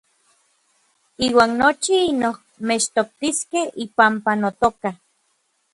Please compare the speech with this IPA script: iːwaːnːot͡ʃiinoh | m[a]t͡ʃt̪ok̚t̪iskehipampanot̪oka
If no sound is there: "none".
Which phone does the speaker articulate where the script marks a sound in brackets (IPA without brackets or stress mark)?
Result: e